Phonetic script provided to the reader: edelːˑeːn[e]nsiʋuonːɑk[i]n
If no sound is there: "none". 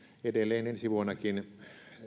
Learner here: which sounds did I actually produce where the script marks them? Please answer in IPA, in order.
e, i

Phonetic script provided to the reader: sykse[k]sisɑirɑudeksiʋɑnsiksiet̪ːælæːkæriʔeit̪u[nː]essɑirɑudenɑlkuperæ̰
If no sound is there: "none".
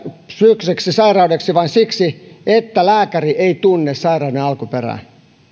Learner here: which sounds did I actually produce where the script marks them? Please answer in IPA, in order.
k, nː

